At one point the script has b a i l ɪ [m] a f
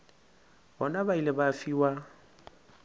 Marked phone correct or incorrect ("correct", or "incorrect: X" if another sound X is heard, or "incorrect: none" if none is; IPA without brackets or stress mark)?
incorrect: b